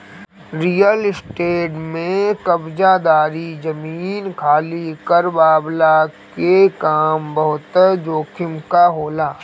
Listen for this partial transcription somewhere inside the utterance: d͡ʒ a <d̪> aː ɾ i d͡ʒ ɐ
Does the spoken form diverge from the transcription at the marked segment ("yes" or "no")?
no